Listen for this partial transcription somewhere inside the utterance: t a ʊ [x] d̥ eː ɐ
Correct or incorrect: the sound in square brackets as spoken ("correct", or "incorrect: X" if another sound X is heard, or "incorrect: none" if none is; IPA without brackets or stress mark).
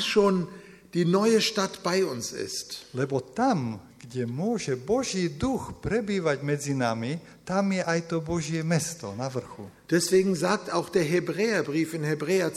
correct